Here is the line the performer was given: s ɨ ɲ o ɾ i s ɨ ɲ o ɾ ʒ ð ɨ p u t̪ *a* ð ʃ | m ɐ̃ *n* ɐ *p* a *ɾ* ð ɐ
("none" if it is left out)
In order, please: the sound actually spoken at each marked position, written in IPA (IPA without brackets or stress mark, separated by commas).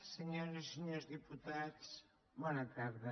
a, n, k, ɾ